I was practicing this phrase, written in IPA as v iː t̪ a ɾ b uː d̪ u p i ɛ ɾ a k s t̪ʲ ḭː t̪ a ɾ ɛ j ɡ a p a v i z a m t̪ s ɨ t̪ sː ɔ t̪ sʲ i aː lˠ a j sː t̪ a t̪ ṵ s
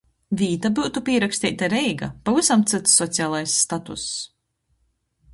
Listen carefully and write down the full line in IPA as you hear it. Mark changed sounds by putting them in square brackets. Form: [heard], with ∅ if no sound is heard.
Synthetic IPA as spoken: v iː t̪ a [∅] b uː [t̪] u p i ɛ ɾ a k s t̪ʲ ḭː t̪ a ɾ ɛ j ɡ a p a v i [s] a m t̪ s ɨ t̪ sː ɔ t̪ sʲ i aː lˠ a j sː t̪ a t̪ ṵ s